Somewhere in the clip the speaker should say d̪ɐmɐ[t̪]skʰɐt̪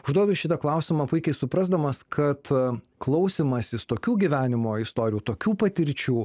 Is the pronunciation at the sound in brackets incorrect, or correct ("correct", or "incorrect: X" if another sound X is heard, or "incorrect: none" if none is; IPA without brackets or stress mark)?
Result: incorrect: none